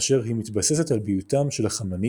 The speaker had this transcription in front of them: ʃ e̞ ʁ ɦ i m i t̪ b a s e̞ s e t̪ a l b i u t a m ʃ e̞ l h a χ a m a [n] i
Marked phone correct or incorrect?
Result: correct